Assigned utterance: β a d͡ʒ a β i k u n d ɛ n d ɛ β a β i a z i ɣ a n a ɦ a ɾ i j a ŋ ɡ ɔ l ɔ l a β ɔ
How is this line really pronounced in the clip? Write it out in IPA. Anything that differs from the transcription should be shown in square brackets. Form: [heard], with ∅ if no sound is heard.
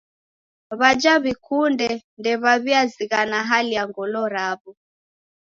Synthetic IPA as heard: β a d͡ʒ a β i k u n d ɛ n d ɛ β a β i a z i ɣ a n a ɦ a [l] i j a ŋ ɡ ɔ l ɔ [ɾ] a β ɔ

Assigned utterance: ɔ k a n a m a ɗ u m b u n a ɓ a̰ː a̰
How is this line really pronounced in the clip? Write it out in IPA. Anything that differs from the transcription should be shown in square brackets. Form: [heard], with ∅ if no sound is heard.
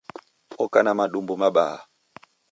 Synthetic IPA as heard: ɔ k a n a m a ɗ u m b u [m] a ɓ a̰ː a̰

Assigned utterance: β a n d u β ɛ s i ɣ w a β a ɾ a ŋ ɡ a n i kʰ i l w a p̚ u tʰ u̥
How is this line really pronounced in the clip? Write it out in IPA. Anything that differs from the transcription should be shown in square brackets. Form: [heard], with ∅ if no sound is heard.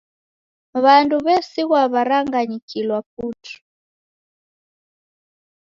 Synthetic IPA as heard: β a n d u β ɛ s i ɣ w a β a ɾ a ŋ ɡ a [ɲ] i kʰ i l w a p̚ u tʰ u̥

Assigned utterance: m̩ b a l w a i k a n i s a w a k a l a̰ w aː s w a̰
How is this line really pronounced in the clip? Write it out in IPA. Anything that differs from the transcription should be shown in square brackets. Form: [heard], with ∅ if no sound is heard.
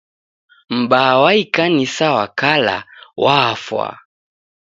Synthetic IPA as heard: m̩ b a [∅] w a i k a n i s a w a k a l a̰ w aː [f] w a̰

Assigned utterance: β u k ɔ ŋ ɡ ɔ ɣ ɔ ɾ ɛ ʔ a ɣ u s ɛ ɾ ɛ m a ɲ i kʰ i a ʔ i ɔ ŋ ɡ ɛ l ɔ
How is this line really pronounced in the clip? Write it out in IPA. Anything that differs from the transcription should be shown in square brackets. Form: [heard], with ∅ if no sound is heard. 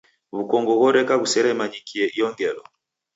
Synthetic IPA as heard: β u k ɔ ŋ ɡ ɔ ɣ ɔ ɾ ɛ [k] a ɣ u s ɛ ɾ ɛ m a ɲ i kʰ i [ɛ] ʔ i ɔ ŋ ɡ ɛ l ɔ

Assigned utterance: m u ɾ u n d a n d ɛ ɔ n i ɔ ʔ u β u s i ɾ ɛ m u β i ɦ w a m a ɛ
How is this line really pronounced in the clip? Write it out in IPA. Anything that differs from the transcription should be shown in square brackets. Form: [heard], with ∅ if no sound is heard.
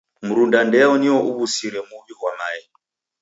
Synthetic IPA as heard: m u ɾ u n d a n d ɛ ɔ n i ɔ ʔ u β u s i ɾ ɛ m u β i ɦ w a m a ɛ

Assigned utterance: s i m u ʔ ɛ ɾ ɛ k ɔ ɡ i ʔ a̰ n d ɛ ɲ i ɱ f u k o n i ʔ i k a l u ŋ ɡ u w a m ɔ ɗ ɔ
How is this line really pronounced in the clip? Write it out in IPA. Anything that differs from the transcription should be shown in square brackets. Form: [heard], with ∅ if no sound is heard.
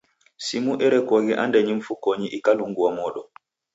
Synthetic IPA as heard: s i m u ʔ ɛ ɾ ɛ k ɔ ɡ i ʔ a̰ n d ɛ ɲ i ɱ f u k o [ɲ] i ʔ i k a l u ŋ ɡ u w a m ɔ ɗ ɔ

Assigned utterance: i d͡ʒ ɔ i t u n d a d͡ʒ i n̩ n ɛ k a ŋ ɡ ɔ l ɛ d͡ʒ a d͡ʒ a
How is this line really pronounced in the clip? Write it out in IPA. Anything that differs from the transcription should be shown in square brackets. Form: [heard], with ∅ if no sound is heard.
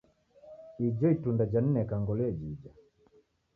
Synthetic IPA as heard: i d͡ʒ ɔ i t u n d a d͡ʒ [a] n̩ n ɛ k a ŋ ɡ ɔ l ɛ d͡ʒ [i] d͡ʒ a

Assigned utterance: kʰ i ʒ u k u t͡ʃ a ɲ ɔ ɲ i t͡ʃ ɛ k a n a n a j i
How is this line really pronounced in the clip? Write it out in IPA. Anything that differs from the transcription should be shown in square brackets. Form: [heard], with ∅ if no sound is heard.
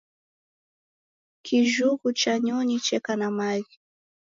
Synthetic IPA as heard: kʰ i ʒ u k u t͡ʃ a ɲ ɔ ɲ i t͡ʃ ɛ k a n a [m] a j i

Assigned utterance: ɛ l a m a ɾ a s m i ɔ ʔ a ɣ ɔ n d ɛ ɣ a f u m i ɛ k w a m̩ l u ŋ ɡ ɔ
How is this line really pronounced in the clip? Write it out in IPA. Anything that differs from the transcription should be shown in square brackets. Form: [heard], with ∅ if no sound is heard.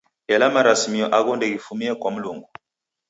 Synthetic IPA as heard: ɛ l a m a ɾ a s m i ɔ ʔ a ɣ ɔ n d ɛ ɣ [i] f u m i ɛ k w a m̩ l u ŋ ɡ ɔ

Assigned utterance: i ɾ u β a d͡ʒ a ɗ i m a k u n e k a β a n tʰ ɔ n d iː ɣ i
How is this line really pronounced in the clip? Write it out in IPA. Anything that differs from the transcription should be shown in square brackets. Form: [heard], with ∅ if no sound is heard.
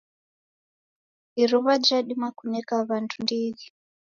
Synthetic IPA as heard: i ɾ u β a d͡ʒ a ɗ i m a k u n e k a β a n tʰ [u] n d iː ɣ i

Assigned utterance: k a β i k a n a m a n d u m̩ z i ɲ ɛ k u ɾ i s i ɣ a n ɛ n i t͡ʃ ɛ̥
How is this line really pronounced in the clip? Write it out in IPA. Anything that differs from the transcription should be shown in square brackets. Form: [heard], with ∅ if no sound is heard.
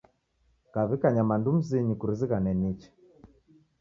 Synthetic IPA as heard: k a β i k a [ɲ] a m a n d u m̩ z i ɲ [i] k u ɾ i [z] i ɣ a n ɛ n i t͡ʃ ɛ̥

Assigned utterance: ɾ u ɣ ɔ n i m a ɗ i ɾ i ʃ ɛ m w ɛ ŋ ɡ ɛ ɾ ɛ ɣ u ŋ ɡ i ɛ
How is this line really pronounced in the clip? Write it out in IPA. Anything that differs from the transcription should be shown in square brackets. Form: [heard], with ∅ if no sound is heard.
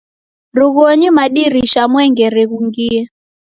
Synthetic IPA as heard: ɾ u ɣ ɔ [ɲ] i m a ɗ i ɾ i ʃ [a] m w ɛ ŋ ɡ ɛ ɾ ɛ ɣ u ŋ ɡ i ɛ

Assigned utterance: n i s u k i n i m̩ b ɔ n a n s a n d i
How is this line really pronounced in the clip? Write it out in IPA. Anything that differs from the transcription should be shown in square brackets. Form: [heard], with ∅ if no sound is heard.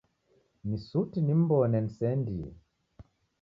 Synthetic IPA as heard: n i s u [t] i n i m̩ b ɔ n [ɛ] n s [ɛ] n d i

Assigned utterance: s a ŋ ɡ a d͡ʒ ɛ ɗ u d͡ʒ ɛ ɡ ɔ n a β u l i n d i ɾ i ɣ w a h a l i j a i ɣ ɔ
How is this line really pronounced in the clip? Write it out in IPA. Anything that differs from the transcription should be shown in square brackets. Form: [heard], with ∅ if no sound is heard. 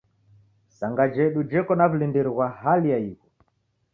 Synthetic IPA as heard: s a ŋ ɡ a d͡ʒ ɛ ɗ u d͡ʒ ɛ [k] ɔ n a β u l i n d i ɾ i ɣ w a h a l i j a i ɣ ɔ

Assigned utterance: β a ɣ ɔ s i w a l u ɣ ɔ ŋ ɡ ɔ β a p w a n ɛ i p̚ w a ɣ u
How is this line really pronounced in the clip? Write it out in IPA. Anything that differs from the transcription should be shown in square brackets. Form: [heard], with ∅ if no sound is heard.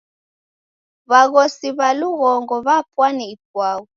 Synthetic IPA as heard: β a ɣ ɔ s i [β] a l u ɣ ɔ ŋ ɡ ɔ β a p w a n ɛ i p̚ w a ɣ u

